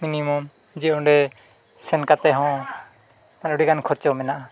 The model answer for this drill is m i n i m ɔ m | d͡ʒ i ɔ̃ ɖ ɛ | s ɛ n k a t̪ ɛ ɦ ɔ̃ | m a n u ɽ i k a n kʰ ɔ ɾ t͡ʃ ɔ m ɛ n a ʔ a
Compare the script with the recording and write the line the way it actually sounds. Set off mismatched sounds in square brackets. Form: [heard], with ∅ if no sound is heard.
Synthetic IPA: m i n i m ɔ m | d͡ʒ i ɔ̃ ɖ ɛ | s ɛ n k a t̪ ɛ ɦ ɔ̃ | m a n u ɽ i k a n kʰ ɔ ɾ t͡ʃ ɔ m ɛ n a ʔ a

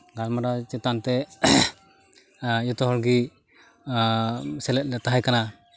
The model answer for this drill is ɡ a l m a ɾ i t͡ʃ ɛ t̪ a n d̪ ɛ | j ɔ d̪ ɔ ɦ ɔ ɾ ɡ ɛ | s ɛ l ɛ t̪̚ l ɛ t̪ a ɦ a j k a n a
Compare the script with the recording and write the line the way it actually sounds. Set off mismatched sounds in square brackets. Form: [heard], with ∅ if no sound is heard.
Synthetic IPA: ɡ a l m a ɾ [a] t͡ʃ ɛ t̪ a n [t̪] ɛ | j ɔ [t̪] ɔ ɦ ɔ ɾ ɡ [i] | s ɛ l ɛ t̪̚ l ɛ t̪ a ɦ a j k a n a

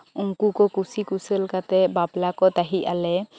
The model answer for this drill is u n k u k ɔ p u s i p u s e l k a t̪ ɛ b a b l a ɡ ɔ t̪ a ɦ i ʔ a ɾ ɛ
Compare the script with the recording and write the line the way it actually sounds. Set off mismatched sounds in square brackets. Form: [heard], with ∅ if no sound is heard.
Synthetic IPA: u [ŋ] k u k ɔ [k] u s i [k] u s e l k a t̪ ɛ b a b l a [k] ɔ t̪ a ɦ i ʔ a [l] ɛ

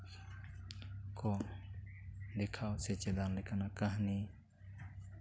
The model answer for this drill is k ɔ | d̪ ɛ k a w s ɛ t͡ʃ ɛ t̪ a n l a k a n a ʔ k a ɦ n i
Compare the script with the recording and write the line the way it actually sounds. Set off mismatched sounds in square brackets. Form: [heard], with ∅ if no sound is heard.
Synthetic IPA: k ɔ | d̪ ɛ [kʰ] a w s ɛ t͡ʃ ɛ [d̪] a n l [ɛ] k a n a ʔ k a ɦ n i

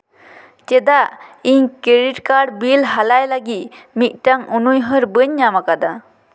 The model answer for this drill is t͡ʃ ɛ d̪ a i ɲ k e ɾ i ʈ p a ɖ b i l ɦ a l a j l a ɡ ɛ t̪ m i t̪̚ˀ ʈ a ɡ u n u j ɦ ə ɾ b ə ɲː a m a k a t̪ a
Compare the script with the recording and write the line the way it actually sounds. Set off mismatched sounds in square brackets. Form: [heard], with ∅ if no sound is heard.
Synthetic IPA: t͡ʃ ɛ d̪ a i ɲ k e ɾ i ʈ [k] a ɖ b i l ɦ a l a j l a ɡ [i] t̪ m i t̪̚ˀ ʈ a [ŋ] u n u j ɦ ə ɾ b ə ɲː a m a k a [d̪] a

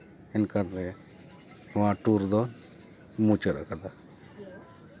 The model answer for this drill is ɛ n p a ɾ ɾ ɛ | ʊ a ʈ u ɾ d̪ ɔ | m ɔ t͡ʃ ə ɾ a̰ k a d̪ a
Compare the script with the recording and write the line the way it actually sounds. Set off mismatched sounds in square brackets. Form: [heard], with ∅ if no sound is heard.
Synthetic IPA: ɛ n [k] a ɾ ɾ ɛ | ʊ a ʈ u ɾ d̪ ɔ | m [u] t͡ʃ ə ɾ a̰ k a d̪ a

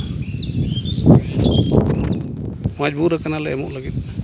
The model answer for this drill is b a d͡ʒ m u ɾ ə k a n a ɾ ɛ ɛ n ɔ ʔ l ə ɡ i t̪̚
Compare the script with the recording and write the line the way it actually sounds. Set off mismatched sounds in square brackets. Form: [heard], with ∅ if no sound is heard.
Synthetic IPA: [m] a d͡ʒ [b] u ɾ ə k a n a [l] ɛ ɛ [m] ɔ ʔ l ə ɡ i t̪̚

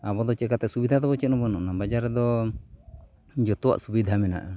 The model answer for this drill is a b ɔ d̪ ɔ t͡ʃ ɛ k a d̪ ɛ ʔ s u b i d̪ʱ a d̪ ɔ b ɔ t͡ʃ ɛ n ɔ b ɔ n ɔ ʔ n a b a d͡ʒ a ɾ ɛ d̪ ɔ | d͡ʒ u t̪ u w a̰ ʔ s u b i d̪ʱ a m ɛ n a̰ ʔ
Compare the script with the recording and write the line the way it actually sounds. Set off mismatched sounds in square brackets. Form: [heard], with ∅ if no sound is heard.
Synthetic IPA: a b ɔ d̪ ɔ t͡ʃ ɛ k a [t̪] ɛ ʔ s u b i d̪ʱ a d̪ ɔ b ɔ t͡ʃ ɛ n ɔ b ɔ n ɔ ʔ n a b a d͡ʒ a ɾ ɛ d̪ ɔ | d͡ʒ [ɔ] t̪ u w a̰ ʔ s u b i d̪ʱ a m ɛ n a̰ ʔ

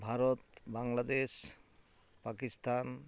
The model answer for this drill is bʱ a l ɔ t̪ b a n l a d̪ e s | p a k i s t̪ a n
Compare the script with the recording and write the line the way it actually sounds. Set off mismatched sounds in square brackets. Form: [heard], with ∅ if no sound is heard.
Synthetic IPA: bʱ a [ɾ] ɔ t̪ b a [ŋ] l a d̪ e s | p a k i s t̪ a n

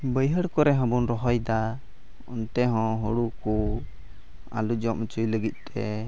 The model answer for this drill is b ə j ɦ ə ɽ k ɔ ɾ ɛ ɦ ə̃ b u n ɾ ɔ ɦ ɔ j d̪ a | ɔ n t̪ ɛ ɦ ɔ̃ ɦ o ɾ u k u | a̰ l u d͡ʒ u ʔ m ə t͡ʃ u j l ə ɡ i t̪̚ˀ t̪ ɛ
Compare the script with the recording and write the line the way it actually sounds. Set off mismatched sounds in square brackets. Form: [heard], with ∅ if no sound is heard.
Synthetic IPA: b ə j ɦ ə ɽ k ɔ ɾ ɛ ɦ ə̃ b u n ɾ ɔ ɦ ɔ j d̪ a | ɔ n t̪ ɛ ɦ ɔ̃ ɦ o [ɽ] u k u | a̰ l u d͡ʒ [ɔ] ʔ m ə t͡ʃ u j l ə ɡ i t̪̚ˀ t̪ ɛ

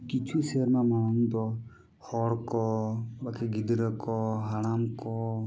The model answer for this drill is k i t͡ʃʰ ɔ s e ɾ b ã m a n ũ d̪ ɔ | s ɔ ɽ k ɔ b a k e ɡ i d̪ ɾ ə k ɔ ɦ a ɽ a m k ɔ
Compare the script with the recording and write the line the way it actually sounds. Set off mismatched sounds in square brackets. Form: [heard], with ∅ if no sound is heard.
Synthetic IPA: k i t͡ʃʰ [u] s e ɾ [m] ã m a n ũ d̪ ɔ | [h] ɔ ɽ k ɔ b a k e ɡ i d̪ ɾ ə k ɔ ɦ a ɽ a m k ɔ

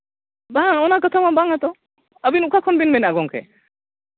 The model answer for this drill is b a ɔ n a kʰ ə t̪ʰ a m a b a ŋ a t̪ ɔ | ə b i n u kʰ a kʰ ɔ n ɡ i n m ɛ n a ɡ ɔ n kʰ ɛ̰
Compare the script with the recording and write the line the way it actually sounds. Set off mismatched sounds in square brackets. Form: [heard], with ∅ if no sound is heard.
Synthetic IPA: b a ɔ n a [k] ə t̪ʰ a m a b a ŋ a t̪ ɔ | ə b i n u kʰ a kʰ ɔ n [b] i n m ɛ n a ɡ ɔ [ŋ] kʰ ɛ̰

